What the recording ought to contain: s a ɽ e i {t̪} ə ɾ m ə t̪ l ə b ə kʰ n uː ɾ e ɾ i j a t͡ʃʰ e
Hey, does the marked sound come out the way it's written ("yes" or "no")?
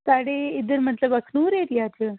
no